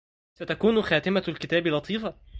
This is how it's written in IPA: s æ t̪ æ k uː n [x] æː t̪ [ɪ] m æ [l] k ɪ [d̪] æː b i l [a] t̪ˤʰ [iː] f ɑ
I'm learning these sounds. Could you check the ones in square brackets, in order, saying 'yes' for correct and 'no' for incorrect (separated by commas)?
yes, yes, yes, no, no, yes